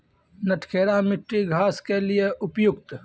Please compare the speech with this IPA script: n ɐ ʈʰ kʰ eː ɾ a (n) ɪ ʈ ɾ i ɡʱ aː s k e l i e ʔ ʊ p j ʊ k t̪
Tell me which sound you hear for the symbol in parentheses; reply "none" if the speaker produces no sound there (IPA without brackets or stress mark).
m